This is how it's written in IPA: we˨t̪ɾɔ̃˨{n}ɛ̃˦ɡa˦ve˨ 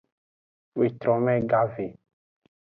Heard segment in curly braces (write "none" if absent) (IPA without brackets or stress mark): m